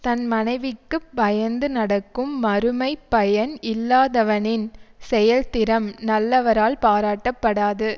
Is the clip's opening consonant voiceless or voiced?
voiceless